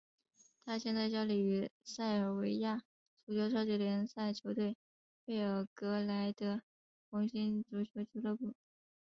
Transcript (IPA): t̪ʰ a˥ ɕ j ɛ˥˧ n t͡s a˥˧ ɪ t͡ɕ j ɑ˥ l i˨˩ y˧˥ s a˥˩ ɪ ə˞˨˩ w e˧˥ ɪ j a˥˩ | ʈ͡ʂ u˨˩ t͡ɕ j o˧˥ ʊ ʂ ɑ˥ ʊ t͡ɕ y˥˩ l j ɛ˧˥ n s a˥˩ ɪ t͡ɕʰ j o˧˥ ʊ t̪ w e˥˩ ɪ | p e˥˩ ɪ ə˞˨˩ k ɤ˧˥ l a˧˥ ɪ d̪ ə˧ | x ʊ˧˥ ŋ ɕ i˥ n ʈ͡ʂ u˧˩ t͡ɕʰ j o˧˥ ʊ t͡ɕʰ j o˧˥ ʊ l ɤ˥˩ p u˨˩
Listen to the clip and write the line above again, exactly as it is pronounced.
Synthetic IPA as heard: t̪ʰ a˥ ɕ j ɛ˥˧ n t͡s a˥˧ ɪ t͡ɕ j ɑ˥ l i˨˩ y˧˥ s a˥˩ ɪ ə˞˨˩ w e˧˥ ɪ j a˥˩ | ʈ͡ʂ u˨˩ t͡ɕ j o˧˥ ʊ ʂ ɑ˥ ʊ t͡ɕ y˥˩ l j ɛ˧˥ n s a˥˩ ɪ t͡ɕʰ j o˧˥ ʊ t̪ w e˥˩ ɪ | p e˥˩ ɪ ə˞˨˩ k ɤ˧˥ l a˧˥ ɪ d̪ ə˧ | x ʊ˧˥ ŋ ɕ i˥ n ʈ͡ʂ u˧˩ t͡ɕʰ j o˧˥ ʊ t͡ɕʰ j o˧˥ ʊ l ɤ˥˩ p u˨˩